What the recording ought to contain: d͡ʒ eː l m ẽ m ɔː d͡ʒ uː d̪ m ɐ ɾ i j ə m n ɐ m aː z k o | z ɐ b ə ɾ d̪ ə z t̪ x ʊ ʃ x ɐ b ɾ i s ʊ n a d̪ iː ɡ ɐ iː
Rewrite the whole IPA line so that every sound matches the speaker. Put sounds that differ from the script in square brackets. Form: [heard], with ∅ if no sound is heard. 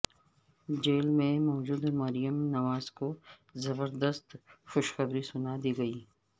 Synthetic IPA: d͡ʒ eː l m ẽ m ɔː d͡ʒ uː d̪ m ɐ ɾ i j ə m n ɐ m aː z k o | z ɐ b ə ɾ d̪ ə [s] t̪ x ʊ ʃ x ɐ b ɾ i s ʊ n a d̪ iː ɡ ɐ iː

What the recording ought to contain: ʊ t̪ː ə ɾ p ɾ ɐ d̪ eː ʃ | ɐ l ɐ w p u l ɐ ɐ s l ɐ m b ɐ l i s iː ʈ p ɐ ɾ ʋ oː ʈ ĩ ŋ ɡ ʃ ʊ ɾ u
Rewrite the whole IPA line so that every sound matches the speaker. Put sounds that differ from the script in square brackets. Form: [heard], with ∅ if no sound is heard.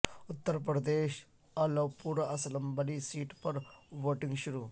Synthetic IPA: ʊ t̪ː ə ɾ p ɾ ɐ d̪ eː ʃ | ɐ l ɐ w p u [ɾ] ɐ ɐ s l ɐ m b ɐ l i s iː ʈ p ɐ ɾ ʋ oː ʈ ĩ ŋ ɡ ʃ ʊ ɾ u

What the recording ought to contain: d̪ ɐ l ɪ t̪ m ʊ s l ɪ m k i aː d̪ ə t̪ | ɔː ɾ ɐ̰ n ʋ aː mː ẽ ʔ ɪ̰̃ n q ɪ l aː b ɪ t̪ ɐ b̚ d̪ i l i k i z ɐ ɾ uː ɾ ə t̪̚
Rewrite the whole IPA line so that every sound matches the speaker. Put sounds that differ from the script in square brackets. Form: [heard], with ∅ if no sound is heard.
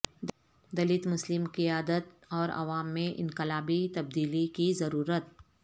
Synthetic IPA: d̪ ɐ l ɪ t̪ m ʊ s l ɪ m k i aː d̪ ə t̪ | ɔː ɾ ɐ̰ [∅] ʋ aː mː ẽ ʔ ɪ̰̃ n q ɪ l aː b [i] t̪ ɐ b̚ d̪ [iː] l i k i z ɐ ɾ uː ɾ ə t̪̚

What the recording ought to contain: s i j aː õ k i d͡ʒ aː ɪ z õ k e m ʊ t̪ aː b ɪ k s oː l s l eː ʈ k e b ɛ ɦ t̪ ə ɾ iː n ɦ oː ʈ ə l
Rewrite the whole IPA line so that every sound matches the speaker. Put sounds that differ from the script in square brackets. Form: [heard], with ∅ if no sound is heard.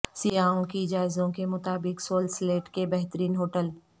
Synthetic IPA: s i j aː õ k i d͡ʒ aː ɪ z õ k e m ʊ t̪ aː b ɪ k s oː l s l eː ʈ k e b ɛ ɦ t̪ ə ɾ iː n ɦ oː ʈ ə l

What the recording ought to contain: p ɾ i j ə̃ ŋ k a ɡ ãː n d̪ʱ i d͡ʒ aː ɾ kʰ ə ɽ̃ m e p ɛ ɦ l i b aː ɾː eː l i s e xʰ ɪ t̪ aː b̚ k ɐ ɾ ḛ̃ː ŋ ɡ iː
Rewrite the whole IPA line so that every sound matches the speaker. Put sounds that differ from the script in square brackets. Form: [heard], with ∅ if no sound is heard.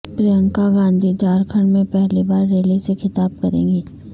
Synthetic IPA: p ɾ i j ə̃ ŋ k a ɡ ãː n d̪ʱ i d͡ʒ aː ɾ kʰ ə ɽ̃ m [ẽ] p ɛ ɦ l i b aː ɾː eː l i s e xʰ ɪ t̪ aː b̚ k ɐ ɾ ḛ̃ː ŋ ɡ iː

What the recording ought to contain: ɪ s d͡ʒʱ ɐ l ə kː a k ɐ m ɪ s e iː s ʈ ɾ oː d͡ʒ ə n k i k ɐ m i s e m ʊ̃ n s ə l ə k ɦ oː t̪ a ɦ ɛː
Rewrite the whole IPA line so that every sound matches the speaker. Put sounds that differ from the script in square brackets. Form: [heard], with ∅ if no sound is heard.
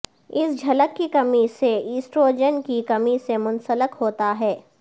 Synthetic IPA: ɪ s d͡ʒʱ ɐ l ə kː [i] k ɐ m [i] s e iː s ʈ ɾ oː d͡ʒ ə n k i k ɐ m i s e m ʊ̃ n s ə l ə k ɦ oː t̪ a ɦ ɛː

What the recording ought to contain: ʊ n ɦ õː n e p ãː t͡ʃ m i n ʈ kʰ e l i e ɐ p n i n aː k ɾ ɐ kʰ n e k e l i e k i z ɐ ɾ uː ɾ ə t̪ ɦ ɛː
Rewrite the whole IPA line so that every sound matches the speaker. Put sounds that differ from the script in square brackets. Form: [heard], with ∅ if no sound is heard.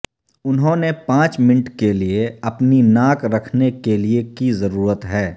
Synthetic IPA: ʊ n ɦ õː n e p ãː t͡ʃ m [ɪ] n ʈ [k] e l i e ɐ p n i n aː k ɾ ɐ kʰ n e k e l i e k i z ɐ ɾ uː ɾ ə t̪ ɦ ɛː

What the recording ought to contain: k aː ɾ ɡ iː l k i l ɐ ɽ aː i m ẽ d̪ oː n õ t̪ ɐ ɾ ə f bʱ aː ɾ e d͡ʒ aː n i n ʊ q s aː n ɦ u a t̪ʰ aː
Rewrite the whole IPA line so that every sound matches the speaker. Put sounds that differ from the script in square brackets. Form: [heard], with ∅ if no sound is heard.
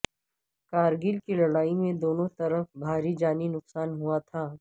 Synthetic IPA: k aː ɾ ɡ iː l k i l ɐ ɽ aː i m ẽ d̪ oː n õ t̪ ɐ ɾ ə f bʱ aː ɾ [i] d͡ʒ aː n i n ʊ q s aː n ɦ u a t̪ʰ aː

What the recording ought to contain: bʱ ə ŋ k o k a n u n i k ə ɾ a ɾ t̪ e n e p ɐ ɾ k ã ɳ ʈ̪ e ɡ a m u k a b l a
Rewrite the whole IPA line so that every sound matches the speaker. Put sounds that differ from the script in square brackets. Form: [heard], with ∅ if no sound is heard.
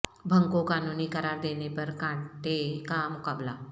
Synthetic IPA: bʱ ə ŋ k o k a n u n i k ə ɾ a ɾ [d̪] e n e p [ə] ɾ k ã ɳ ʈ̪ e [k] a m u k a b l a

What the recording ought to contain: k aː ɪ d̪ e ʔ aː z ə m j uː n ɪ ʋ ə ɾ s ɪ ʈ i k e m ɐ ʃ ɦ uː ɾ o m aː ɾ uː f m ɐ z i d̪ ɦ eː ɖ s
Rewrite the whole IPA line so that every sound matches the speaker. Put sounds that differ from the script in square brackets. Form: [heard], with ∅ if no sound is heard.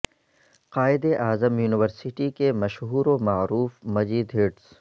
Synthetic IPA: [q] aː ɪ d̪ e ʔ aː z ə m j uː n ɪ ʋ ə ɾ s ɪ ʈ i k e m ɐ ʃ ɦ uː ɾ o m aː ɾ uː f m ɐ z [iː] d̪ ɦ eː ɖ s

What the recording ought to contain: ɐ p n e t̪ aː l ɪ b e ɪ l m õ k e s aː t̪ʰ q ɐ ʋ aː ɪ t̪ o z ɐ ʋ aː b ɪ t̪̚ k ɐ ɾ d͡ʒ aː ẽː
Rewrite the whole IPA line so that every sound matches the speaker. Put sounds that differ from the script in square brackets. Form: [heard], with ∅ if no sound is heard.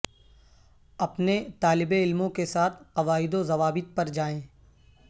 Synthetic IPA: ɐ p n e t̪ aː l ɪ b e ɪ l m õ k e s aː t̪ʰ q ɐ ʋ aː ɪ [d̪] o z ɐ ʋ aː b ɪ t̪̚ [p] ɐ ɾ d͡ʒ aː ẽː

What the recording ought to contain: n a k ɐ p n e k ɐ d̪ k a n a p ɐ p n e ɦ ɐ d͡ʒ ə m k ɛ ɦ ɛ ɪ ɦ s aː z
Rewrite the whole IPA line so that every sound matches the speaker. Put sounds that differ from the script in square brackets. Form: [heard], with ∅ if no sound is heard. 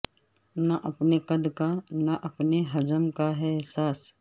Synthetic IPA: n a [ʔ] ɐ p n e k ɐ d̪ k a n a [ʔ] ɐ p n e ɦ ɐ d͡ʒ ə m k [a] ɦ ɛ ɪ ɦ s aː [s]

